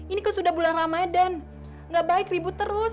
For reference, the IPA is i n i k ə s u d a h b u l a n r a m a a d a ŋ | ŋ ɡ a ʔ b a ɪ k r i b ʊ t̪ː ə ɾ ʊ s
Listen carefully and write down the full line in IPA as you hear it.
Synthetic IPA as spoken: i n i k ə s u d a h b u l a n r a m a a d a n | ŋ ɡ a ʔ b a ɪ k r i b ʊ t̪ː ə ɾ ʊ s